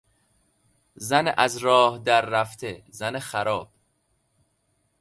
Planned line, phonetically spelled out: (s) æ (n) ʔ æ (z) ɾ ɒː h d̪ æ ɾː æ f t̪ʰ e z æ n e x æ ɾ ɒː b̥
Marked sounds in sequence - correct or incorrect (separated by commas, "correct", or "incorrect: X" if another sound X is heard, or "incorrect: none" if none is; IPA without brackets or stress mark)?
incorrect: z, correct, correct